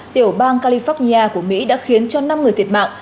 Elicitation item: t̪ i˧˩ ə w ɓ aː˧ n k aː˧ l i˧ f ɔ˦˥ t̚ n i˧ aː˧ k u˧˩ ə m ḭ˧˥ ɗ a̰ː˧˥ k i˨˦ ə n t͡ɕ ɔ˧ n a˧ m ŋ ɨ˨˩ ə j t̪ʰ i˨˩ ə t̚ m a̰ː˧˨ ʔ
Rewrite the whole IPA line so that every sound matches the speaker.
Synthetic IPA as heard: t̪ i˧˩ ə w ɓ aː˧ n k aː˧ l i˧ f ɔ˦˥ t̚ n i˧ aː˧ k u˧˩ ə m ḭ˧˥ ɗ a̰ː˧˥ x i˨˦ ə n t͡ɕ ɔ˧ n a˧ m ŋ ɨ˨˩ ə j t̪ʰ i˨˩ ə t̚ m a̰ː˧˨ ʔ